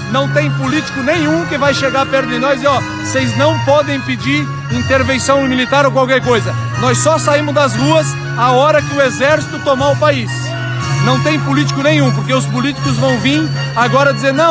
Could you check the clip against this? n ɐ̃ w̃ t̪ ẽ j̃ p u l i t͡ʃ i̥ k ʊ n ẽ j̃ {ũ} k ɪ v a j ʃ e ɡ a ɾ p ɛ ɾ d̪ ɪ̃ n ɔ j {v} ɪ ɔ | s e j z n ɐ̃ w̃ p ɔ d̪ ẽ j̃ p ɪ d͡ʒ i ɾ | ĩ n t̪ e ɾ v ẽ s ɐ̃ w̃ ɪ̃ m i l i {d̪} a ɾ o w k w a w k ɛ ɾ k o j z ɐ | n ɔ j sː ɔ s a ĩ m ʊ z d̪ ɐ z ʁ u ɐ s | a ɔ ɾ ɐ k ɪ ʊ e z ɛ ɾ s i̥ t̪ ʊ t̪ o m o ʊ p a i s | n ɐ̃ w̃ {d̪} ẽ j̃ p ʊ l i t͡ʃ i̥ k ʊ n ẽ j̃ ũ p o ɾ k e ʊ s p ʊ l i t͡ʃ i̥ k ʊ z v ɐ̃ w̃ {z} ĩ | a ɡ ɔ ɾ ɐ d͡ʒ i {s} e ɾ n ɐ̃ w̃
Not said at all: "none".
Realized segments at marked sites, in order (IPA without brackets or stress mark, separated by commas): ũ, z, t̪, t̪, v, z